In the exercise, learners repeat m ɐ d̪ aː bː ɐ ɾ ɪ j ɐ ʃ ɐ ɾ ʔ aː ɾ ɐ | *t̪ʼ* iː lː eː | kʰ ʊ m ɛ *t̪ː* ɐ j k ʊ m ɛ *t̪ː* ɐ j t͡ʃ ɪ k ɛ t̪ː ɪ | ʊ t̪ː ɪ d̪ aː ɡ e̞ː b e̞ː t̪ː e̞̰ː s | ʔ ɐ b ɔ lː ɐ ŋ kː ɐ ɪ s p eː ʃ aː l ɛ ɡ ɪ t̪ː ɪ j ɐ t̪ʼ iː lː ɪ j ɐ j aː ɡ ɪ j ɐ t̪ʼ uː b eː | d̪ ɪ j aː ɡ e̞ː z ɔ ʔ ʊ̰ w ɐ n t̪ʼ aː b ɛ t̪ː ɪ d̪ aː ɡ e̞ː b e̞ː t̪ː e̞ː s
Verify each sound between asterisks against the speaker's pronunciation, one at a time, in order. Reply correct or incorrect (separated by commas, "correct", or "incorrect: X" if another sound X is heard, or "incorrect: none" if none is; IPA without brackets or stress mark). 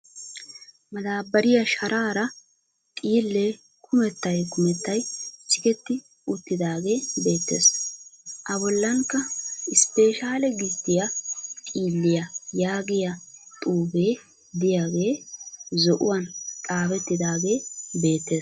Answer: correct, correct, correct